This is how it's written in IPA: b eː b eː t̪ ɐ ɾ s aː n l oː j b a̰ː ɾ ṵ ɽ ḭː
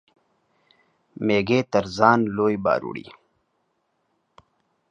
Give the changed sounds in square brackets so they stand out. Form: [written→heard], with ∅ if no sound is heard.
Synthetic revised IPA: [b→m] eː [b→ɡ] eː t̪ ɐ ɾ [s→z] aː n l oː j b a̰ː ɾ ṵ ɽ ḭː